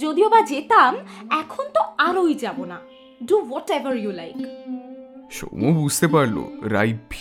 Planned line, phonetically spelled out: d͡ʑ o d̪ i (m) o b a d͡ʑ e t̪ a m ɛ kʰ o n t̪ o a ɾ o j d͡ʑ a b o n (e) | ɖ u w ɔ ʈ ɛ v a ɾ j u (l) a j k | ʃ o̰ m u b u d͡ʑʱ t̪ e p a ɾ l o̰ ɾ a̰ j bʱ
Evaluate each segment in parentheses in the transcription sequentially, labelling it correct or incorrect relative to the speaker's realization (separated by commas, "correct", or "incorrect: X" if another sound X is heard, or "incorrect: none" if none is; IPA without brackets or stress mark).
incorrect: none, incorrect: a, correct